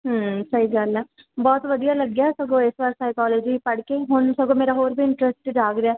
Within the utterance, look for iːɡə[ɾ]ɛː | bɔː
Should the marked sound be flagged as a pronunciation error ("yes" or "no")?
yes